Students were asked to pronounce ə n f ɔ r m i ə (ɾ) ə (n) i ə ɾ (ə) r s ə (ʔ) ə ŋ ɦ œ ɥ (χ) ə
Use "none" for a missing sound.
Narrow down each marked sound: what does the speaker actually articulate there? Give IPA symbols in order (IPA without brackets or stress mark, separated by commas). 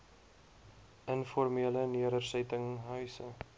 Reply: l, n, ə, t, s